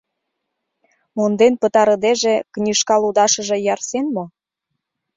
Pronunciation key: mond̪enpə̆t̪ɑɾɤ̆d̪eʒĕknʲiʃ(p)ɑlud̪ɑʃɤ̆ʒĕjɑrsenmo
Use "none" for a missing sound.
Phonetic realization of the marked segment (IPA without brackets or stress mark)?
k